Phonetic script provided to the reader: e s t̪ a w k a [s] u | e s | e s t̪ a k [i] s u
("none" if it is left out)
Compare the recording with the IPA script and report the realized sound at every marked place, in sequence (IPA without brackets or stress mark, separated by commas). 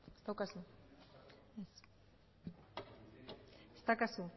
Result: s, a